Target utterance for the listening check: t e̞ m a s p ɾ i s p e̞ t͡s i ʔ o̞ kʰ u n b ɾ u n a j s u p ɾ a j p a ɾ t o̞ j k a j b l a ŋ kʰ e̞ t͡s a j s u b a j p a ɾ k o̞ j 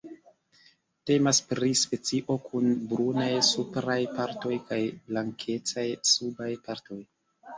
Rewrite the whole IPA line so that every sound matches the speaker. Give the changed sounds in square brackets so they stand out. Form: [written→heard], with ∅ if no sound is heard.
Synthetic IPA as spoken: t e̞ m a s p ɾ i s p e̞ t͡s i ʔ o̞ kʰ u n b ɾ u n a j s u p ɾ a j p a ɾ t o̞ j k a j b l a ŋ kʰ e̞ t͡s a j s u b a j p a ɾ [k→t] o̞ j